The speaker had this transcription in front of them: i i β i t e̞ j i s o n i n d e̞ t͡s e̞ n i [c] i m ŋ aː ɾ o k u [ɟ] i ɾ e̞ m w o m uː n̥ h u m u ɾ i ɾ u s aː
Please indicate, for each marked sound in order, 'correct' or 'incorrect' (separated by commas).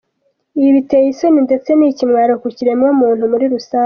correct, incorrect